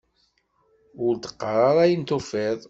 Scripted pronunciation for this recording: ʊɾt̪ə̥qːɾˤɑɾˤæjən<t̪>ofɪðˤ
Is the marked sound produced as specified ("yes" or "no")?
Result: yes